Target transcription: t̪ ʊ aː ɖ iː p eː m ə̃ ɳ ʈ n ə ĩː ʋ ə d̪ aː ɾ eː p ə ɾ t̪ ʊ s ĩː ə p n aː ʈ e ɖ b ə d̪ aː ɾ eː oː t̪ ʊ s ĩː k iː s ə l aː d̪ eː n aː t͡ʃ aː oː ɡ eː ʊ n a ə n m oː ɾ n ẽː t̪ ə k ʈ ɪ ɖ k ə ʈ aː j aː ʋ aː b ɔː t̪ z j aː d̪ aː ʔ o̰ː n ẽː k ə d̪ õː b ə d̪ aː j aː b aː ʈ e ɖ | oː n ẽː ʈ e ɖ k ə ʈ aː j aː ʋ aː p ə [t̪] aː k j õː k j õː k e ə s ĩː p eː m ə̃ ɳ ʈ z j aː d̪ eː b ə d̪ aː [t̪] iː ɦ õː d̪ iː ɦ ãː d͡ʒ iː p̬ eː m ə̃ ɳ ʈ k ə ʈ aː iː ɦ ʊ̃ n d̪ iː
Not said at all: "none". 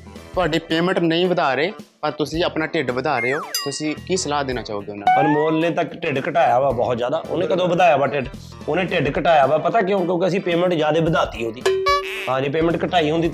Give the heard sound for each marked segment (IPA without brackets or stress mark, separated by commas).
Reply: t̪, t̪